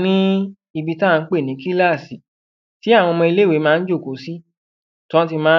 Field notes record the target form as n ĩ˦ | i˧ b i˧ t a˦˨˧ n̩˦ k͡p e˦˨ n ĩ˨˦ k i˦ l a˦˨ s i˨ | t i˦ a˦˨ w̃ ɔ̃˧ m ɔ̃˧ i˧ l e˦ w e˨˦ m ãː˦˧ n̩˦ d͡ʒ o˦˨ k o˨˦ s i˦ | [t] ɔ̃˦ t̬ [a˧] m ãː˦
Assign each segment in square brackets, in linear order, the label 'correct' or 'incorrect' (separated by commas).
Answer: correct, incorrect